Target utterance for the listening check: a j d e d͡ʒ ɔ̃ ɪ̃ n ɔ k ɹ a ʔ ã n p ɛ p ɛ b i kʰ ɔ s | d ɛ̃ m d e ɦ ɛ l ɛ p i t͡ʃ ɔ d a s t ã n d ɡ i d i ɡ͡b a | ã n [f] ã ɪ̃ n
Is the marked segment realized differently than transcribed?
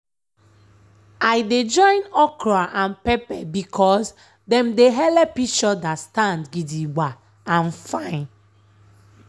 no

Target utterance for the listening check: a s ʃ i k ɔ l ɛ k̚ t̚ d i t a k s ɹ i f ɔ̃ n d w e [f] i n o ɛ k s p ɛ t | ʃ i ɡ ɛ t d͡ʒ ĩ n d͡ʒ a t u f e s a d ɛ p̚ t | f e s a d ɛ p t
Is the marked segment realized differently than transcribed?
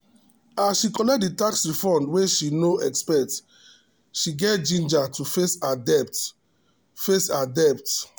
yes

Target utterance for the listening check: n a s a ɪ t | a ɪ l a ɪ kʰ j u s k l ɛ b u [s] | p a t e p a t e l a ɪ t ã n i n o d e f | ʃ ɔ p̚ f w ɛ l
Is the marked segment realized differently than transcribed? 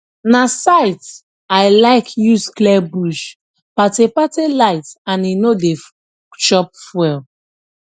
yes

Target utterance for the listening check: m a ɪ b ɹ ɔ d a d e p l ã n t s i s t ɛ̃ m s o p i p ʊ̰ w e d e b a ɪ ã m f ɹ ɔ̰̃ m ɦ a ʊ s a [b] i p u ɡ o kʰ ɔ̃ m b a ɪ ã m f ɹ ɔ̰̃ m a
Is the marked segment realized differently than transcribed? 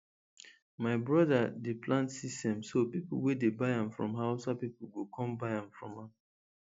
yes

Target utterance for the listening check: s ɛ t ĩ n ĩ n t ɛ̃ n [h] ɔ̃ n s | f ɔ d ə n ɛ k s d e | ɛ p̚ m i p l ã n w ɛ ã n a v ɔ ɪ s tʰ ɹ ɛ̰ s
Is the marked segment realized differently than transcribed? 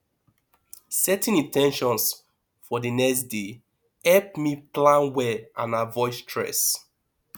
yes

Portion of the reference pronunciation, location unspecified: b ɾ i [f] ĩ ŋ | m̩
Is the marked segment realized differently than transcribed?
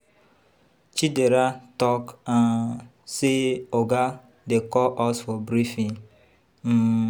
no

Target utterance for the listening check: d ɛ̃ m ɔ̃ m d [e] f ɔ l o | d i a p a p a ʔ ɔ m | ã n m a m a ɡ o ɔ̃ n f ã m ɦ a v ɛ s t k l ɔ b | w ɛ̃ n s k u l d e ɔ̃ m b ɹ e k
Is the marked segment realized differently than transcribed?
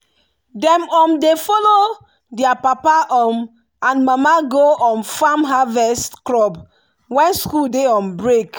no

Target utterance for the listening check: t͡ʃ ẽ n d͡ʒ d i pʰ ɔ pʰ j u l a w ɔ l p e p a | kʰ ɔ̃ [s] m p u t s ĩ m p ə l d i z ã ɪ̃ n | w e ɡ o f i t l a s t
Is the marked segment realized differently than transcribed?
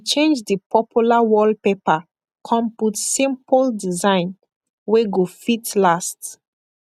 yes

